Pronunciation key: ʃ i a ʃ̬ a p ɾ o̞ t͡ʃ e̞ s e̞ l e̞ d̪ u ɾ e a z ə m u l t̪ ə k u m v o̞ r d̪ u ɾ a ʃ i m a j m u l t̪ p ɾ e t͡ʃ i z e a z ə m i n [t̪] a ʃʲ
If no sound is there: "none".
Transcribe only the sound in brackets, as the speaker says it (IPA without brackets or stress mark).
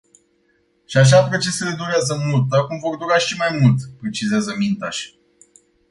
t̪